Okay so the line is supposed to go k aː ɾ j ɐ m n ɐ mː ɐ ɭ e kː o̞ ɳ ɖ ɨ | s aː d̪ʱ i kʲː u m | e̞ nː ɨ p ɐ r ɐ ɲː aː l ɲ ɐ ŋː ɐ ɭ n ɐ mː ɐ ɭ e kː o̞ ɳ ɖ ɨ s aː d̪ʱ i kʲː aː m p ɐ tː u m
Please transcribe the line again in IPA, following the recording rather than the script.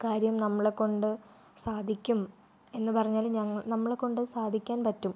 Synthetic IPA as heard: k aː ɾ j ɐ m n ɐ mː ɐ ɭ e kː o̞ ɳ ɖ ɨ | s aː d̪ʱ i kʲː u m | e̞ nː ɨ p ɐ r ɐ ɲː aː l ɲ ɐ ŋː ɐ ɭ n ɐ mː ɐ ɭ e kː o̞ ɳ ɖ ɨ s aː d̪ʱ i kʲː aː n p ɐ tː u m

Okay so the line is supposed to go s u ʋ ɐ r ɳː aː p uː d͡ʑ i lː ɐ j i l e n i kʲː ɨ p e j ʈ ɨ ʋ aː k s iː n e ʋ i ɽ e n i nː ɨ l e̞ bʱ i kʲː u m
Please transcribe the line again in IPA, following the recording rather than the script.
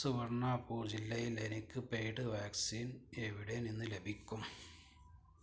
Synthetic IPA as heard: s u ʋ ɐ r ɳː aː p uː d͡ʑ i lː ɐ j i l e n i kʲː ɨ p e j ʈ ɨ ʋ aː k s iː n e ʋ i ɽ e n i nː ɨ l e̞ bʱ i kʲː u m

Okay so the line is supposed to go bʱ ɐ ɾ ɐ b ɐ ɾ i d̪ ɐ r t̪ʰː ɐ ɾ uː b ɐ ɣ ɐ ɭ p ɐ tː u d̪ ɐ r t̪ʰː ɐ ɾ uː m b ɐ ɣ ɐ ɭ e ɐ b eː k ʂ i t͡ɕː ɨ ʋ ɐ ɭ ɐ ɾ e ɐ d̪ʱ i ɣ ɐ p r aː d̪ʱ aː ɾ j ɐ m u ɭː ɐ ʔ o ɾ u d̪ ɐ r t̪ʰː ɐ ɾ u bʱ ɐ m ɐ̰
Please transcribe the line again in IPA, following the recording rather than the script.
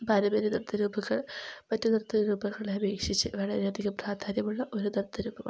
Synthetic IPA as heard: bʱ ɐ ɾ ɐ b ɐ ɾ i d̪ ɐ r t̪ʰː ɐ ɾ uː b ɐ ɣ ɐ ɭ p ɐ tː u d̪ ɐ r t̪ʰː ɐ ɾ uː b ɐ ɣ ɐ ɭ e ɐ b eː k ʂ i t͡ɕː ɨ ʋ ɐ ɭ ɐ ɾ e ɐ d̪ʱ i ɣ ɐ p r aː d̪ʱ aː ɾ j ɐ m u ɭː ɐ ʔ o ɾ u d̪ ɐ r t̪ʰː ɐ ɾ uː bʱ ɐ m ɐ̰

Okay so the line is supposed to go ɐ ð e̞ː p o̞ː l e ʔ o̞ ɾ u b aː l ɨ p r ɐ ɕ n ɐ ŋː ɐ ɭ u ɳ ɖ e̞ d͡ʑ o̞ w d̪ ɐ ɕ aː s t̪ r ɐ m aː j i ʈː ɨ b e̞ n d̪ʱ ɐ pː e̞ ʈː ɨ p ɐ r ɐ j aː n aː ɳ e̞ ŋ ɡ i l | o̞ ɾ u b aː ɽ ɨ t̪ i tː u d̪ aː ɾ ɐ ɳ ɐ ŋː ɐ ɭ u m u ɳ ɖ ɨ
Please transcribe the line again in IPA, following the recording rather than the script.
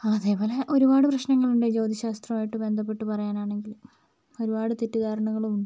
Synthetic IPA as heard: ɐ ð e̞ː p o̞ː l e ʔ o̞ ɾ u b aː ɽ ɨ p r ɐ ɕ n ɐ ŋː ɐ ɭ u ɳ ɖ e̞ d͡ʑ o̞ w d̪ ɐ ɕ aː s t̪ r ɐ m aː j i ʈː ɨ b e̞ n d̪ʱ ɐ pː e̞ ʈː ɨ p ɐ r ɐ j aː n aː ɳ e̞ ŋ ɡ i l | o̞ ɾ u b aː ɽ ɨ t̪ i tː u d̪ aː ɾ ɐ ɳ ɐ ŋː ɐ ɭ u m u ɳ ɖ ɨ

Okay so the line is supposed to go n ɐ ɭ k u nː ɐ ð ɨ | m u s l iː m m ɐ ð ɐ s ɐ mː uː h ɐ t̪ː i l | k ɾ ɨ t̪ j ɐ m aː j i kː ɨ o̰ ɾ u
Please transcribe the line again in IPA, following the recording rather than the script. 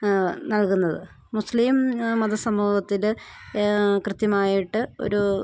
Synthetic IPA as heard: n ɐ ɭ k u nː ɐ ð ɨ | m u s l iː m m ɐ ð ɐ s ɐ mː uː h ɐ t̪ː i l | k r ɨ t̪ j ɐ m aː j i ʈː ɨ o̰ ɾ u

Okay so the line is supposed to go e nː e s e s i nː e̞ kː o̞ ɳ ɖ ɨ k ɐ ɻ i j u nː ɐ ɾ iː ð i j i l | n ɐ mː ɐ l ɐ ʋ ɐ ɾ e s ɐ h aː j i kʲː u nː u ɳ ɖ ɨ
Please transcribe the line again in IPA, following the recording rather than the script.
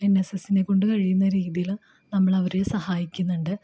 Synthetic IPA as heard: e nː e s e s i n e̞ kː o̞ ɳ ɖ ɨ k ɐ ɻ i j u nː ɐ ɾ iː ð i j i l | n ɐ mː ɐ ɭ ɐ ʋ ɐ ɾ e s ɐ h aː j i kʲː u nː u ɳ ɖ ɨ

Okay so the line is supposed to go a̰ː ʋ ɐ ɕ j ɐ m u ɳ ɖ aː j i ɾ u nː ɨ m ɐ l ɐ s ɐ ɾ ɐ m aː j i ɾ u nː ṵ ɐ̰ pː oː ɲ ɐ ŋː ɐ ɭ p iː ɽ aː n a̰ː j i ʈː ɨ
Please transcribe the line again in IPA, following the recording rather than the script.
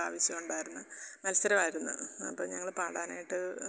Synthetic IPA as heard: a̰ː ʋ ɐ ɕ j ɐ m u ɳ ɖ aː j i ɾ u nː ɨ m ɐ l ɐ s ɐ ɾ ɐ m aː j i ɾ u nː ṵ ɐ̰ pː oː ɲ ɐ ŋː ɐ ɭ p aː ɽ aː n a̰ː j i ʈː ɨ

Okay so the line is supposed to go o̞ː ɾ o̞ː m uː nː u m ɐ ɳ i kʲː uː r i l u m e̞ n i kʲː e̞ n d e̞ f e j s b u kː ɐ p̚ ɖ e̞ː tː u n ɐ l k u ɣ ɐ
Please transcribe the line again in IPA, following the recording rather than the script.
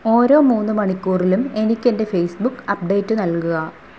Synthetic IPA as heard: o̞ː ɾ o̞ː m uː nː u m ɐ ɳ i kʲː uː r i l u m e̞ n i kʲː e̞ n d e̞ f e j s b u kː ɐ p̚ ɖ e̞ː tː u n ɐ l k u ɣ ɐ

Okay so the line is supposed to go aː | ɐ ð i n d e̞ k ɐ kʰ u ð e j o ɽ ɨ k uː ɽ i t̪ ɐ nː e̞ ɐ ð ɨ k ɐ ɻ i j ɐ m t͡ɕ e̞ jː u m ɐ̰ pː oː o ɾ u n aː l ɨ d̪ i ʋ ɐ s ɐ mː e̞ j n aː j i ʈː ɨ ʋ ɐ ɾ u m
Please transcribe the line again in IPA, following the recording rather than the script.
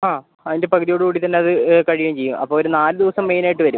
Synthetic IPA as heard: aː | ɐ ð i n d e̞ p ɐ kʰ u ð i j o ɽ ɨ k uː ɽ i t̪ ɐ nː e̞ ɐ ð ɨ k ɐ ɻ i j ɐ m t͡ɕ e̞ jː u m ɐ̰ pː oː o ɾ u n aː l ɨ d̪ i ʋ ɐ s ɐ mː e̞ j n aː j i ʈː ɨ ʋ ɐ ɾ u m

